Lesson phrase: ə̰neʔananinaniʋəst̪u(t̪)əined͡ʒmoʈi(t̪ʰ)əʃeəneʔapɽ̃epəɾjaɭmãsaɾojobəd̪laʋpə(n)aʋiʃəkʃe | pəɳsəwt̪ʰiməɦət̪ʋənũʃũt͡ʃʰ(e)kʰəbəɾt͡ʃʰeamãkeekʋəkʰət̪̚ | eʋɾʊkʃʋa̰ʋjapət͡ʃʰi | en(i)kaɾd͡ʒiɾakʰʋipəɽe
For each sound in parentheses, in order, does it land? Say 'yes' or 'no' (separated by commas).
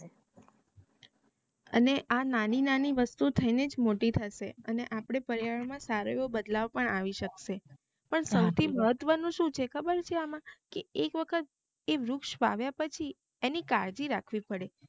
no, yes, no, yes, yes